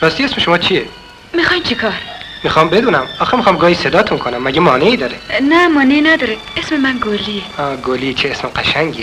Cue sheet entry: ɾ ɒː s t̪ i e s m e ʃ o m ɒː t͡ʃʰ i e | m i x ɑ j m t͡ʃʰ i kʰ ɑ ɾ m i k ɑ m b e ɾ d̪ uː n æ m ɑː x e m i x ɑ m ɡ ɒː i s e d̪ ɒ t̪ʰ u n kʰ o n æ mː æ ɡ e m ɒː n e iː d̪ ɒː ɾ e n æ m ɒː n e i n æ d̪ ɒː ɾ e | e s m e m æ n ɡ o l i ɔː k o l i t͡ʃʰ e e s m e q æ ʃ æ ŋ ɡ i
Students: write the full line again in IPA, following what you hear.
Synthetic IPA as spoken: ɾ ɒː s t̪ i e s m e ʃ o m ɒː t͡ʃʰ i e | m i x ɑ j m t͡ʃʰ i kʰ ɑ ɾ m i x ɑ m b e d̪ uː n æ m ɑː x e m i x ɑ m ɡ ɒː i s e d̪ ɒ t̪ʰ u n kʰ o n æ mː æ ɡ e m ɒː n e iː d̪ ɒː ɾ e n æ m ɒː n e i n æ d̪ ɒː ɾ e | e s m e m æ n ɡ o l i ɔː ɡ o l i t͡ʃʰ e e s m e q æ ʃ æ ŋ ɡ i